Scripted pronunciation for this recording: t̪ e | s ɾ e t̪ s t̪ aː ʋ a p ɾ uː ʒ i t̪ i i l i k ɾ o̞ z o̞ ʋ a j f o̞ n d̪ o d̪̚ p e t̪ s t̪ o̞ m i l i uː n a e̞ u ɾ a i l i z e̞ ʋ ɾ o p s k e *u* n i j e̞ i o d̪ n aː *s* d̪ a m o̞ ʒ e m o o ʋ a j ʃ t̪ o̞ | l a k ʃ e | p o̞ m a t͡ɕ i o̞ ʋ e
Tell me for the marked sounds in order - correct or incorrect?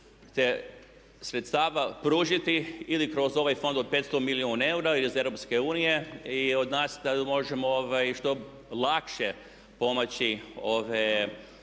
incorrect: uː, correct

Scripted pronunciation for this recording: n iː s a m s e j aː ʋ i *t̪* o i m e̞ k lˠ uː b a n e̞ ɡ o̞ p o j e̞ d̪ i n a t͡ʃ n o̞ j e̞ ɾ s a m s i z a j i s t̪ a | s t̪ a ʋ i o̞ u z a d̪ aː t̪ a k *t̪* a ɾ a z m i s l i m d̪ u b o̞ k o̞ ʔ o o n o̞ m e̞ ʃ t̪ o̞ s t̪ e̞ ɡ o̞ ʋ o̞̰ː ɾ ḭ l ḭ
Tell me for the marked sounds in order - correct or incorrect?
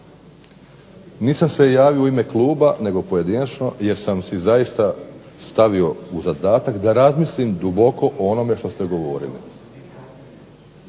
incorrect: none, incorrect: d̪

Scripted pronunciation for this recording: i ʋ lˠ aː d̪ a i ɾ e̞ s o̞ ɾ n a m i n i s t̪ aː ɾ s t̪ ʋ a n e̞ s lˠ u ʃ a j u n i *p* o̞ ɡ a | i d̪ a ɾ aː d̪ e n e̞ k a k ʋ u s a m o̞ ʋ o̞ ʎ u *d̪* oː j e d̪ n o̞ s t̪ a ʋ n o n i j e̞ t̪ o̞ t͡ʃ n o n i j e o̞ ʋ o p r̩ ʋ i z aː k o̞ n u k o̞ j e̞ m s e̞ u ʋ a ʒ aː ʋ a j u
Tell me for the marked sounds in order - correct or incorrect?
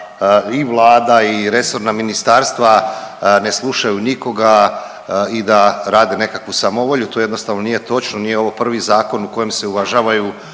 incorrect: k, incorrect: t̪

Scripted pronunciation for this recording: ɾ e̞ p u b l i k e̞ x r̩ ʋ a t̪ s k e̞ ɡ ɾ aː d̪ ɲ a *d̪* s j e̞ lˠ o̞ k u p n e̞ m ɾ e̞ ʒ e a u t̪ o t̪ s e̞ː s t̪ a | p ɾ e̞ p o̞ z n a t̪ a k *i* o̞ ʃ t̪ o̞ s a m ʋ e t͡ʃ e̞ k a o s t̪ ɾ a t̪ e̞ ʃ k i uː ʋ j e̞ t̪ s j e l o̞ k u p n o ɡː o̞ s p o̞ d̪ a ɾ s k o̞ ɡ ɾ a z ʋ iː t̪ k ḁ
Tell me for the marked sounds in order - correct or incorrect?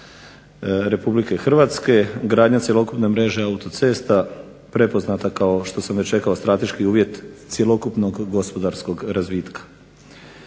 incorrect: t̪, incorrect: a

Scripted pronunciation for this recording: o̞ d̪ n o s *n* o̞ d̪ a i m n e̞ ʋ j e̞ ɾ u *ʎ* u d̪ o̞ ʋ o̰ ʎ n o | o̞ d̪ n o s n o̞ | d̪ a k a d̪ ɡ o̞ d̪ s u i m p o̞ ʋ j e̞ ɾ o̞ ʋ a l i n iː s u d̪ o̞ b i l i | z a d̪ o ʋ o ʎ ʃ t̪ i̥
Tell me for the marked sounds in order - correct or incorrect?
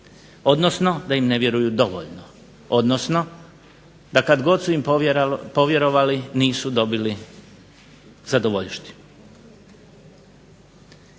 correct, incorrect: j

